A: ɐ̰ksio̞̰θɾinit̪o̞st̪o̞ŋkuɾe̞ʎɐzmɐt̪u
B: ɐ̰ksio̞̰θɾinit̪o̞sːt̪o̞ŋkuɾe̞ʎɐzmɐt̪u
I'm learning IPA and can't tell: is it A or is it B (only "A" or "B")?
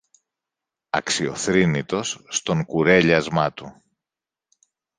B